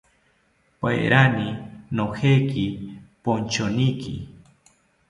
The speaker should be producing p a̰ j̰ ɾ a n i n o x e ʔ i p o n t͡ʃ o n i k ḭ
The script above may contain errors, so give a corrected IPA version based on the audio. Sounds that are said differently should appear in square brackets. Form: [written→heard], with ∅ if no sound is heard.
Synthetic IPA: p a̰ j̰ ɾ a n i n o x e [ʔ→k] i p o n t͡ʃ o n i k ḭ